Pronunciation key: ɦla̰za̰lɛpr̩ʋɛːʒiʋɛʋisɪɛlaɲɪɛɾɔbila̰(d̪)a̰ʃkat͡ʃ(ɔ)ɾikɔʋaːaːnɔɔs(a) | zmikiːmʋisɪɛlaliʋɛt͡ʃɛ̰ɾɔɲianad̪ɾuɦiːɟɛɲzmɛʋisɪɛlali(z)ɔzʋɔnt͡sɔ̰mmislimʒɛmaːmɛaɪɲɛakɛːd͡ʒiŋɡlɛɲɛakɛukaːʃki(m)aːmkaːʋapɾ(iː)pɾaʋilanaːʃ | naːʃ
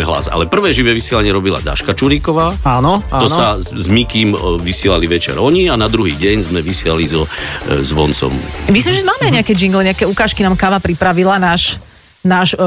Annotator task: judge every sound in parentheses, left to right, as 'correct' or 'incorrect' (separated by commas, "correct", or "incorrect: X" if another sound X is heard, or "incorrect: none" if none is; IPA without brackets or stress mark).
correct, incorrect: u, correct, correct, incorrect: n, incorrect: i